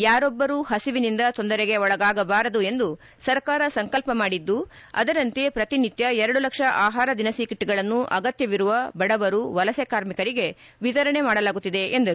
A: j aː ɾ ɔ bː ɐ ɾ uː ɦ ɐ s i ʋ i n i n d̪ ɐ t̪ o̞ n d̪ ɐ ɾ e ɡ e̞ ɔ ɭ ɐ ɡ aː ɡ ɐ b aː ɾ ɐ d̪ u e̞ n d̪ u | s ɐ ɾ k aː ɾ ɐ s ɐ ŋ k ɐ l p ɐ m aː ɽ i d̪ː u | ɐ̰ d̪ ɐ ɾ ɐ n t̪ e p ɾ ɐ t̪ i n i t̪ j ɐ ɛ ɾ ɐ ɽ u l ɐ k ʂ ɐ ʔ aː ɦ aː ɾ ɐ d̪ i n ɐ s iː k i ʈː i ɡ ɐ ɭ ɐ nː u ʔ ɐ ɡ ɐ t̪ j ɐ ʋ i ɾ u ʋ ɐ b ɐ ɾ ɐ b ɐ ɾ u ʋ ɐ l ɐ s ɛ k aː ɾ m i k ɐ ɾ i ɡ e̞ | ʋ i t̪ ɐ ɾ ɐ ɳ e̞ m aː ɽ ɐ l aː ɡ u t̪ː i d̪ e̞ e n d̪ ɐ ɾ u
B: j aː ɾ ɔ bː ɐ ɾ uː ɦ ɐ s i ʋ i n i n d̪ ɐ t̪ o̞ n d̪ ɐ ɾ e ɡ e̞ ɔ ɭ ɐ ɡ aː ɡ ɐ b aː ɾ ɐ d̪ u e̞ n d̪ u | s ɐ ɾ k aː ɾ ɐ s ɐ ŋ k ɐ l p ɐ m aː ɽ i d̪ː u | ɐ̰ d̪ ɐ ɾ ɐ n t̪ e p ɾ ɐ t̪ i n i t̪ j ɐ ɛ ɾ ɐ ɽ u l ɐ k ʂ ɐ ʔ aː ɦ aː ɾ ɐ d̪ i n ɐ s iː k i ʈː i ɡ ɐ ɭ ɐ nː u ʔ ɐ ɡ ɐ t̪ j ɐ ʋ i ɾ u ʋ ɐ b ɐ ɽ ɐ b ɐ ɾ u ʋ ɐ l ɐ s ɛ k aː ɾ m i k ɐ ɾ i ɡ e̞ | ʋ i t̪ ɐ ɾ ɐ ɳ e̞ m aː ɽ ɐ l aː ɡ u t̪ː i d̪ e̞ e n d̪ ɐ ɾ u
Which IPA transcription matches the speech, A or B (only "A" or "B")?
B